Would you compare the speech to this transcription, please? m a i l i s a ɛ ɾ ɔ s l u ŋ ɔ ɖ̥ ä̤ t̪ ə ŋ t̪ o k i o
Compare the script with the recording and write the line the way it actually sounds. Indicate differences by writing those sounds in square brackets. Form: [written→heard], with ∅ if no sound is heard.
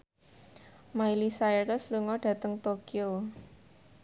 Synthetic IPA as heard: m a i l i s a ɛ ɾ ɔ s l u ŋ ɔ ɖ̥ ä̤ t̪ ə ŋ t̪ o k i o